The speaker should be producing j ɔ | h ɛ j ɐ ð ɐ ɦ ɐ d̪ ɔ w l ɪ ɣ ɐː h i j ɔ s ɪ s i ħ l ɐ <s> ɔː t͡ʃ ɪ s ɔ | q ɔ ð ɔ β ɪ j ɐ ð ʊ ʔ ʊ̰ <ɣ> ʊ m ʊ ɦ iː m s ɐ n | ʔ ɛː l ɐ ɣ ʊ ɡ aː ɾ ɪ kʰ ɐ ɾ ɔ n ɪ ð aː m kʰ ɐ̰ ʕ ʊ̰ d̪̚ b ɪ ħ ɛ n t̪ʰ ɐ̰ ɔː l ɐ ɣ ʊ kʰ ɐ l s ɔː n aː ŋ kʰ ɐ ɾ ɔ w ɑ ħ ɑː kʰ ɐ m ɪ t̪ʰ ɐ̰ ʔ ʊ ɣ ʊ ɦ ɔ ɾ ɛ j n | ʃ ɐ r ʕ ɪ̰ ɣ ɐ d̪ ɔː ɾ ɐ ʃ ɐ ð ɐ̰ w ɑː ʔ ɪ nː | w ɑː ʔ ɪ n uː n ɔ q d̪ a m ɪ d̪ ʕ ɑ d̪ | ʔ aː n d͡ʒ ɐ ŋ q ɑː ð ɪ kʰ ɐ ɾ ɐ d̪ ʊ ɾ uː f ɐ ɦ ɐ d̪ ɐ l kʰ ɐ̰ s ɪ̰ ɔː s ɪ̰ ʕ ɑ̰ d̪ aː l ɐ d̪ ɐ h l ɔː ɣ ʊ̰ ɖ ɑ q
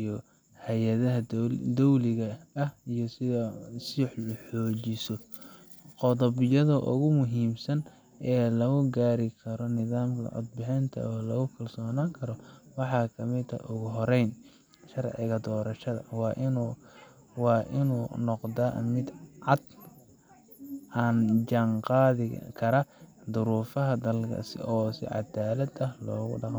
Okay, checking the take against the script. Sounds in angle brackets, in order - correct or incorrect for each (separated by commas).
incorrect, correct